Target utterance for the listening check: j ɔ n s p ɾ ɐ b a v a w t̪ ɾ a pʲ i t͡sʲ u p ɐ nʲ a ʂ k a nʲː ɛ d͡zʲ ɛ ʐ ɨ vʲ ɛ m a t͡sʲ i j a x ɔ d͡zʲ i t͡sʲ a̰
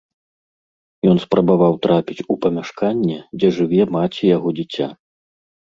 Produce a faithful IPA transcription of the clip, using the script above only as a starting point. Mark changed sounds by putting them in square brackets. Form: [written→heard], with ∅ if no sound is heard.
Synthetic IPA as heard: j ɔ n s p ɾ ɐ b a v a w t̪ ɾ a pʲ i t͡sʲ u p ɐ [nʲ→mʲ] a ʂ k a nʲː ɛ d͡zʲ ɛ ʐ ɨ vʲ ɛ m a t͡sʲ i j a [x→ɣ] ɔ d͡zʲ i t͡sʲ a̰